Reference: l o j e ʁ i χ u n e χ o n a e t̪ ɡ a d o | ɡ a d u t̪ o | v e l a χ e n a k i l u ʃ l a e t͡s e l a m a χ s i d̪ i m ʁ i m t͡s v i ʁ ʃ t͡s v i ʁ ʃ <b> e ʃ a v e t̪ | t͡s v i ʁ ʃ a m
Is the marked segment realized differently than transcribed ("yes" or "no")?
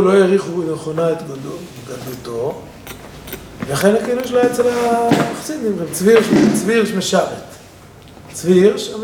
yes